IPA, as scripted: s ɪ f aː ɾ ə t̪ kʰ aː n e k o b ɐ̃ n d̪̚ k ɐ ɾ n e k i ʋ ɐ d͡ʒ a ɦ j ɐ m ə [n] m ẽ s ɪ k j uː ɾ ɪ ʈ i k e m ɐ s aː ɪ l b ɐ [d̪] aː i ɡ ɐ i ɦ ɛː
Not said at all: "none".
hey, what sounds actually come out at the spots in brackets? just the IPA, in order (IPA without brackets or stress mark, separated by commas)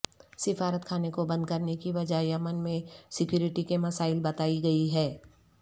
n, t̪